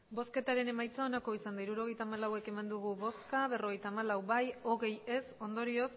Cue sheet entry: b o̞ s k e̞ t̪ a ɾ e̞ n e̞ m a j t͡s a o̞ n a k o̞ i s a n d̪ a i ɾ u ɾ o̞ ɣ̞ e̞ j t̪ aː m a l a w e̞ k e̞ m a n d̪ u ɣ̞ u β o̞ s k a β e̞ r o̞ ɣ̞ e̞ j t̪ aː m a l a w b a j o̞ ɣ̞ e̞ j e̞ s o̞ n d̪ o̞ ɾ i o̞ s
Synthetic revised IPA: b o̞ s k e̞ t̪ a ɾ e̞ n e̞ m a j t͡s a o̞ n a k o̞ i s a n d̪ a i ɾ u ɾ o̞ ɣ̞ e̞ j t̪ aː m a l a w e̞ k e̞ m a n d̪ u ɣ̞ u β o̞ s k a β e̞ r o̞ ɣ̞ e̞ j t̪ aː m a l a w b a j o̞ ɣ̞ e̞ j e̞ s o̞ n d̪ o̞ ɾ i o̞ s